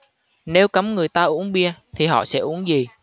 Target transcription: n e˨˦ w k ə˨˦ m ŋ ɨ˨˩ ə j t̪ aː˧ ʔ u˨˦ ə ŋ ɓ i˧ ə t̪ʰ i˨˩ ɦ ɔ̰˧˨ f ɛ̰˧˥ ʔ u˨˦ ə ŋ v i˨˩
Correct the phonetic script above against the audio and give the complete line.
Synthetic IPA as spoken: n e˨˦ w k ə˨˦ m ŋ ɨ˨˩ ə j t̪ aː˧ ʔ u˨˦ ə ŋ ɓ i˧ ə t̪ʰ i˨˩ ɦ ɔ̰˧˨ s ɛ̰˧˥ ʔ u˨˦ ə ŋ z i˨˩